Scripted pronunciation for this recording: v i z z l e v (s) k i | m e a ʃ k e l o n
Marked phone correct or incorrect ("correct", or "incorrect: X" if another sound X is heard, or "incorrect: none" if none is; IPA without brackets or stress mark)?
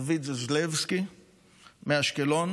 correct